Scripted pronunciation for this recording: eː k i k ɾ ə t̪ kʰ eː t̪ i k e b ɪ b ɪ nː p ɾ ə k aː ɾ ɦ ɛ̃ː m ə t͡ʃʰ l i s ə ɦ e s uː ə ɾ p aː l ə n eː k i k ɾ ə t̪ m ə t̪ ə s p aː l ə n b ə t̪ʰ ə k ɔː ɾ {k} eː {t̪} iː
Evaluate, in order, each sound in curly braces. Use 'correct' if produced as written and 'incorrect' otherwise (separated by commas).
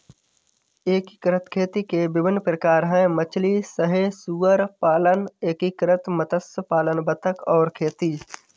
incorrect, correct